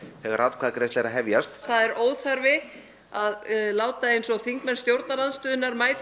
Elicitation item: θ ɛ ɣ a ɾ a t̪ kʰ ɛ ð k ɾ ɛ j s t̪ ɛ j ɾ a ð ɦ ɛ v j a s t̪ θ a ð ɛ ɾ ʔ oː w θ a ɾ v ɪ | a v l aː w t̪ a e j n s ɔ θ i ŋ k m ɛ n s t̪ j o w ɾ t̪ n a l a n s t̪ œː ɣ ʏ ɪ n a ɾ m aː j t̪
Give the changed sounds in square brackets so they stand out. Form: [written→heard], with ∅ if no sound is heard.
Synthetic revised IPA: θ ɛ ɣ a ɾ a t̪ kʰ [ɛ→a] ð k ɾ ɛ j s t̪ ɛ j ɾ a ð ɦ ɛ v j a s t̪ θ a ð ɛ ɾ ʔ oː w θ a ɾ v ɪ | a [v→ð] l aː w t̪ a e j n s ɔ θ i ŋ k m ɛ n s t̪ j o w ɾ t̪ n a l a n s t̪ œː [ɣ→ð] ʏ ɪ n a ɾ m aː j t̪